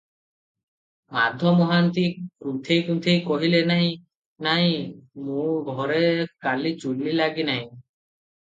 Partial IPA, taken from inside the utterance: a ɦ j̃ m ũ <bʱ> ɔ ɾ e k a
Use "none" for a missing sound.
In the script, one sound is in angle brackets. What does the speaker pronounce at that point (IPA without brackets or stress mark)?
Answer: ɡʱ